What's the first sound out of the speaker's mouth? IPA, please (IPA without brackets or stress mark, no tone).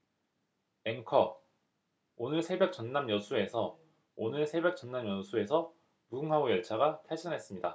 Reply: e̞